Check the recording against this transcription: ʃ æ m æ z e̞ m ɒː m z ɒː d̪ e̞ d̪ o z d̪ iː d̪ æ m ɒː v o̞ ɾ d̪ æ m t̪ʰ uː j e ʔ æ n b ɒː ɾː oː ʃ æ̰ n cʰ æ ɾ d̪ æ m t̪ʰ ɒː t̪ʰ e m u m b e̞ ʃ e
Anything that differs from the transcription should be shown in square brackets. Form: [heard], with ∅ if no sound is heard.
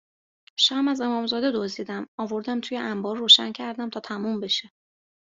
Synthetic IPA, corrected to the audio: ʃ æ m æ z e̞ m ɒː m z ɒː d̪ e̞ d̪ o z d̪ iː d̪ æ m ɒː v o̞ ɾ d̪ æ m t̪ʰ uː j e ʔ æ [m] b ɒː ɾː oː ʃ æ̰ n cʰ æ ɾ d̪ æ m t̪ʰ ɒː t̪ʰ [æ] m u m b e̞ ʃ e